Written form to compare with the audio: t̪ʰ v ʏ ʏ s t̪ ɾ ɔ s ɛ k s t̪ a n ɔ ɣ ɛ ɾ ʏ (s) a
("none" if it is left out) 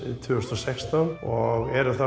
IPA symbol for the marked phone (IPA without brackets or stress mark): θ